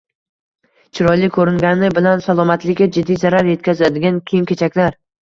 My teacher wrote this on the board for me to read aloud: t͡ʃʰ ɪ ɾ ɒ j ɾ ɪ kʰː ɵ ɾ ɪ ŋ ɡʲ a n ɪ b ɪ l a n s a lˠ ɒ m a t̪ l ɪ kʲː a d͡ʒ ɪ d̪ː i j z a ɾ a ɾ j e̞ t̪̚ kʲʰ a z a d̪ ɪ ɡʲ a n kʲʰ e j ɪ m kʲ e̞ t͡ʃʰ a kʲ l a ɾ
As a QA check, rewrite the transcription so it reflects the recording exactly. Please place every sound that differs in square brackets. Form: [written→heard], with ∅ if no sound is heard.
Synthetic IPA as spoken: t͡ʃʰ ɪ ɾ ɒ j [ɾ→l] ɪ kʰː ɵ ɾ ɪ ŋ ɡʲ a n ɪ b ɪ l a n s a lˠ ɒ m a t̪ l ɪ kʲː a d͡ʒ ɪ d̪ː i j z a ɾ a ɾ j e̞ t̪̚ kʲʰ a z a d̪ ɪ ɡʲ a n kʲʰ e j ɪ m kʲ e̞ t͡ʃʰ a kʲ l a ɾ